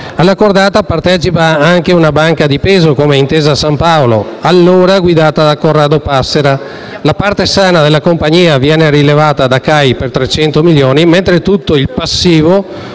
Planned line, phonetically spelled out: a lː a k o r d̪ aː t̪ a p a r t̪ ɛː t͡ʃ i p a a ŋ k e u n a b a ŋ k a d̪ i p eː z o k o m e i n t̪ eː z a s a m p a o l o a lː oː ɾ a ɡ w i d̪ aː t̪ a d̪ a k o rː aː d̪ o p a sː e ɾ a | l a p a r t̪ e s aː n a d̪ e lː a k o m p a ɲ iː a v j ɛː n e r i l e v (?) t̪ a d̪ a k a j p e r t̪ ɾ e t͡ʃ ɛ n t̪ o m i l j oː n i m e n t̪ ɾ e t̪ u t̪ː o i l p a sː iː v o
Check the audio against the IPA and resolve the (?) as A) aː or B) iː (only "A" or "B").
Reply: A